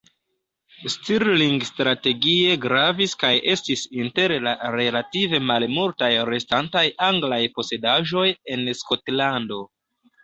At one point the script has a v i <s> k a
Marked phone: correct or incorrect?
correct